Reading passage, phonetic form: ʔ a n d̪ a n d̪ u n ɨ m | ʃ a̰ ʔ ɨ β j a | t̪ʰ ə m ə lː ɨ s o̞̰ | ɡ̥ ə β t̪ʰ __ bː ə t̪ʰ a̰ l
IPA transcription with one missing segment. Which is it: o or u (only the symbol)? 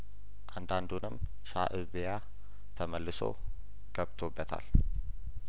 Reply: o